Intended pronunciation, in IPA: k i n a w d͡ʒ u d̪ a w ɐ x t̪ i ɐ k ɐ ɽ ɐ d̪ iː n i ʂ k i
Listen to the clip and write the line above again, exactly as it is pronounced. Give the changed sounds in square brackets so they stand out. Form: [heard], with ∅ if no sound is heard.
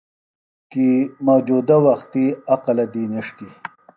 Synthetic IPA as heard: k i [m] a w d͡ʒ u d̪ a w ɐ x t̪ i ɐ [q] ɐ [l] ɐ d̪ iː n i ʂ k i